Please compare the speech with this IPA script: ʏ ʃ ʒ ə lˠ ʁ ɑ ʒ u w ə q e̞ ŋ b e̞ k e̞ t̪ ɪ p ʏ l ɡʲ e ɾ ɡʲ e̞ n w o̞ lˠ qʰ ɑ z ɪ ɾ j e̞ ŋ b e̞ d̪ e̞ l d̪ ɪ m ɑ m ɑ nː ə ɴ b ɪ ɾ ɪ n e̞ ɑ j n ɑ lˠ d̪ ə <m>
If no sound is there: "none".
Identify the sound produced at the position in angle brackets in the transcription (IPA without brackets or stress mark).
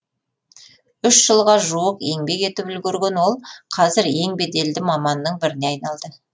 none